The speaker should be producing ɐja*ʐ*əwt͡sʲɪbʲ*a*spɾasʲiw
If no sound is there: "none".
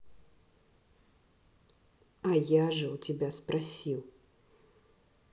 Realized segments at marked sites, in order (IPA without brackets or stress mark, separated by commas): ʐ, a